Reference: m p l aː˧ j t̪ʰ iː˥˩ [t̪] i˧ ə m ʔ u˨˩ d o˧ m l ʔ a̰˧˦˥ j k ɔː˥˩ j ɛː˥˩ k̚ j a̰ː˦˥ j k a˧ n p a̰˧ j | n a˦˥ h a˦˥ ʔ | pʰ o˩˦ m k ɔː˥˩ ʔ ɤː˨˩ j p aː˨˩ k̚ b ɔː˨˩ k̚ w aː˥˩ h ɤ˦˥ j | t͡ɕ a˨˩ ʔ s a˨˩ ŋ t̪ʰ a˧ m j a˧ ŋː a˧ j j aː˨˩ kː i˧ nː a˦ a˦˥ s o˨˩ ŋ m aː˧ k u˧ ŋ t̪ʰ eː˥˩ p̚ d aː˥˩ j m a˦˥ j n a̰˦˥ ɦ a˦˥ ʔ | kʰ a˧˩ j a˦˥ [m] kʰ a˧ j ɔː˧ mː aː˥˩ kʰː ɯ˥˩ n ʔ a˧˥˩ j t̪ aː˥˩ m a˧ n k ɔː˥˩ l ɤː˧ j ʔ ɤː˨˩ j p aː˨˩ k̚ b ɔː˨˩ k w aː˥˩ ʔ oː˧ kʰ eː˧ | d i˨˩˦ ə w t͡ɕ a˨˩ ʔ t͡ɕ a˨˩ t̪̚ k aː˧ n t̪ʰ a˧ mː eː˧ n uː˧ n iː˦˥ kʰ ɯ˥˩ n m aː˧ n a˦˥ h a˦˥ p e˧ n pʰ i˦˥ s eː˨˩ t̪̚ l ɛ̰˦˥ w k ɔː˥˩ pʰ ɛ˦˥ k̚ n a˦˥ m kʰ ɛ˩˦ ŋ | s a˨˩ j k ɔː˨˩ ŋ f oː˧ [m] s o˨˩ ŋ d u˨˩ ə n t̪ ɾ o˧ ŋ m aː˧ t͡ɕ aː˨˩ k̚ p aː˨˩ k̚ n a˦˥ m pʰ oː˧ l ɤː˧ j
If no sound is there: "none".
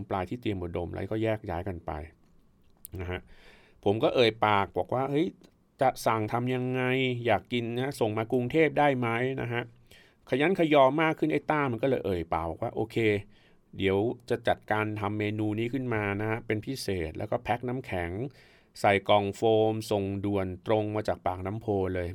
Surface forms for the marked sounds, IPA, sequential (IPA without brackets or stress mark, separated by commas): t̪, n, m